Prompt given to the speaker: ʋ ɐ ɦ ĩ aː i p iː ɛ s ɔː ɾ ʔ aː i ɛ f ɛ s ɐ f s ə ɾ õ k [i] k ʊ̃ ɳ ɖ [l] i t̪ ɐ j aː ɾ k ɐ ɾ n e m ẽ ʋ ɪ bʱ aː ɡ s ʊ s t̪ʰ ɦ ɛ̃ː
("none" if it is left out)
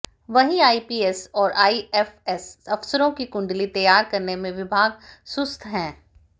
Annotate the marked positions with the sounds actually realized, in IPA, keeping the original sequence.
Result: i, l

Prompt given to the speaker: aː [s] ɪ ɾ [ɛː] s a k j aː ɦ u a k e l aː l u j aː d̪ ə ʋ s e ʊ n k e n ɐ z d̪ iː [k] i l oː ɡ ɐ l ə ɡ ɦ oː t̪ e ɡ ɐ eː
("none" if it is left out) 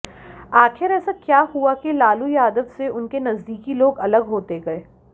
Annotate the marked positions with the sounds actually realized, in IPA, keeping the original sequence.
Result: x, ɛː, k

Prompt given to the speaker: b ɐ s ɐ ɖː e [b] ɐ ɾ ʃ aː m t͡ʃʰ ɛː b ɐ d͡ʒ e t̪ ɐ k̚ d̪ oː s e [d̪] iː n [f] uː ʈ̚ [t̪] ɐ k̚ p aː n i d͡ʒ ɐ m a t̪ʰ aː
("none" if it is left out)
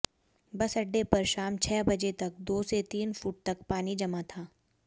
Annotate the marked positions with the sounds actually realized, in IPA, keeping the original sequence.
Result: p, t̪, f, t̪

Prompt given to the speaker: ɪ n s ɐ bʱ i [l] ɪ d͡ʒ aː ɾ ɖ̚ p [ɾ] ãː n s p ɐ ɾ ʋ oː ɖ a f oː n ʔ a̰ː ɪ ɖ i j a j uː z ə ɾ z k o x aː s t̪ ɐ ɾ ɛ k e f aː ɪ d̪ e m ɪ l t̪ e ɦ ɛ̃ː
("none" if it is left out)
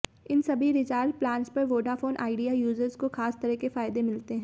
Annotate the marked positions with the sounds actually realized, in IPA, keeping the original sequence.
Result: ɾ, l

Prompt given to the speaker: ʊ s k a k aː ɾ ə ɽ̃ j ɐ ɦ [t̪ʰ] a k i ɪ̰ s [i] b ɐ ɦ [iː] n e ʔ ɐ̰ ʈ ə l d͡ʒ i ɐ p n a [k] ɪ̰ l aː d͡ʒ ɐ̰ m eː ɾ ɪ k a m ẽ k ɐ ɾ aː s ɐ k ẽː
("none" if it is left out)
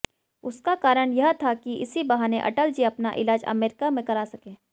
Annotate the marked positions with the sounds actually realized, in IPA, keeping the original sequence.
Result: t̪ʰ, i, aː, ʔ

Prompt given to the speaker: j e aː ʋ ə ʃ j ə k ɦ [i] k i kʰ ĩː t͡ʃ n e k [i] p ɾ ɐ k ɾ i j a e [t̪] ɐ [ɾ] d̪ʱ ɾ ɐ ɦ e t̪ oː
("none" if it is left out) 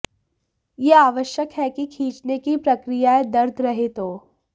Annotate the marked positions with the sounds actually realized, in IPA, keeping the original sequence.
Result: ɛ, i, d̪, ɾ

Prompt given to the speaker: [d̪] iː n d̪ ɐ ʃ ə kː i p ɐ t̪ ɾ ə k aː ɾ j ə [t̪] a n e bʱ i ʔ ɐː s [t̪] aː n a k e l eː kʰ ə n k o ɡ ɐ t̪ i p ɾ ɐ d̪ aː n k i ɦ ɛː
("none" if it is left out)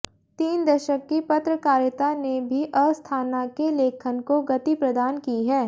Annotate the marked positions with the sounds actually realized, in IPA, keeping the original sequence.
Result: t̪, t̪, t̪ʰ

